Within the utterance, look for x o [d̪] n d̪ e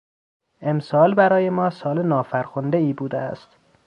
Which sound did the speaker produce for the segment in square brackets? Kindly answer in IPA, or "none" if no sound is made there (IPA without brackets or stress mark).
none